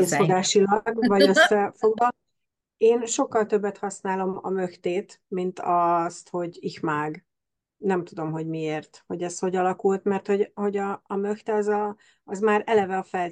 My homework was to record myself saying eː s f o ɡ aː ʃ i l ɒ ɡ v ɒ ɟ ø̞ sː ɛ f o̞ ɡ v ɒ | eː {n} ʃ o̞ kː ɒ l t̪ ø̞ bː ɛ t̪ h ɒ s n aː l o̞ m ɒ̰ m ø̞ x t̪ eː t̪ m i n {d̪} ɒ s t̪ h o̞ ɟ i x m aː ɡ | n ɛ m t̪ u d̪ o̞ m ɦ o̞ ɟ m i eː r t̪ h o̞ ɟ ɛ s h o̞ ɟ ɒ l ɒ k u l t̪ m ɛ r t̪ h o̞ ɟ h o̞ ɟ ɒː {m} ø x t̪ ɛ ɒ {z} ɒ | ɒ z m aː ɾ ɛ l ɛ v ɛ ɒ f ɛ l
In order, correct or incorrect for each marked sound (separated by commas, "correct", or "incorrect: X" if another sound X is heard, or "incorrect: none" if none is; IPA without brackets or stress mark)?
correct, incorrect: t̪, correct, correct